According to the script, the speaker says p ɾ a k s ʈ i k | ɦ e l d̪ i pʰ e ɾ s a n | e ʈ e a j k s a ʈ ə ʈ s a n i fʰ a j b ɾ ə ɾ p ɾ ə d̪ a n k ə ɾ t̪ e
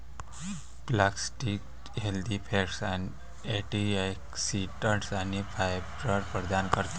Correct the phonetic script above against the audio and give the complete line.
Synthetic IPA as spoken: p l a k s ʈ i k | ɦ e l d̪ i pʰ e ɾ s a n | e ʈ i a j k s i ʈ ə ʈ s a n i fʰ a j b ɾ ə ɾ p ɾ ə d̪ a n k ə ɾ t̪ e